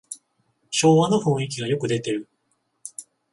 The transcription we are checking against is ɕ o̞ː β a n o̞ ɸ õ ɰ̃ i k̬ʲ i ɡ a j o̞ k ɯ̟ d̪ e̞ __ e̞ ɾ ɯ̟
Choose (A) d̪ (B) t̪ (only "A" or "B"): B